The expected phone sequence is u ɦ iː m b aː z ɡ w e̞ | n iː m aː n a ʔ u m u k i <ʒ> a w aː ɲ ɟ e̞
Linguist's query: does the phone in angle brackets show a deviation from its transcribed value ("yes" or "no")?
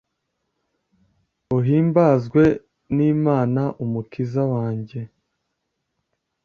yes